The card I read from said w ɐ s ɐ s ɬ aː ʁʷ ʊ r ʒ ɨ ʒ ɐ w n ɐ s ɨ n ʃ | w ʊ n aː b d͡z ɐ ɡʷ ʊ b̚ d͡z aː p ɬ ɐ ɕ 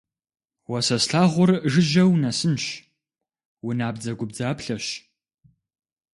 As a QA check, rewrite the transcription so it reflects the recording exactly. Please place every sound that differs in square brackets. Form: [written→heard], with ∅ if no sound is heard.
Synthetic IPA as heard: w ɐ s ɐ s ɬ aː ʁʷ ʊ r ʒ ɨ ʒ ɐ w n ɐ s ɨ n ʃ | w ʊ n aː b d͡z ɐ ɡʷ ʊ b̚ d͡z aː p ɬ ɐ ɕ